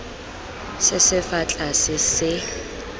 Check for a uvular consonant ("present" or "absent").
absent